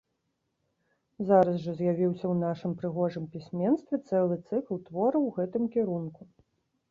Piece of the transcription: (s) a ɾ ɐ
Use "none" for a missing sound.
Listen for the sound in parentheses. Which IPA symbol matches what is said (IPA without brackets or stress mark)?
z